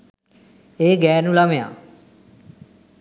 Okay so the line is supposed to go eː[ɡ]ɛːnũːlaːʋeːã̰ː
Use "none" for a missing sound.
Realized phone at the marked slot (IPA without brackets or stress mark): ɡ